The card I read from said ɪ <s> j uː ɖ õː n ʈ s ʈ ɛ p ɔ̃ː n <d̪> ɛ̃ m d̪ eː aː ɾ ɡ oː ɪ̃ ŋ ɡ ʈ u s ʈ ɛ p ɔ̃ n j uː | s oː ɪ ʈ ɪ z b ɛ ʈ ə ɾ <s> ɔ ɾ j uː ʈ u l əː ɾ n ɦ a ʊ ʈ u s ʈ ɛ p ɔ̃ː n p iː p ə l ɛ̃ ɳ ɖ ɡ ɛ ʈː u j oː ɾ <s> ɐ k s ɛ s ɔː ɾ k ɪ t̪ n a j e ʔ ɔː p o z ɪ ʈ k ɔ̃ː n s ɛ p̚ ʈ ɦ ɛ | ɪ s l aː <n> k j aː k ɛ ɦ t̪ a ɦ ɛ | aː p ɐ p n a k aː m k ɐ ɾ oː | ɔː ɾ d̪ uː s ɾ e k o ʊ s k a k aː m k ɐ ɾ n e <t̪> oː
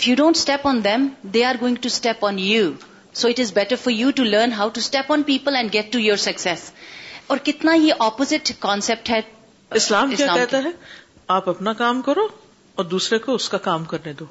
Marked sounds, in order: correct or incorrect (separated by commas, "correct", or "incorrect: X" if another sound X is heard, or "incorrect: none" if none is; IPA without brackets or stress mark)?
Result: incorrect: f, correct, incorrect: f, correct, incorrect: m, incorrect: d̪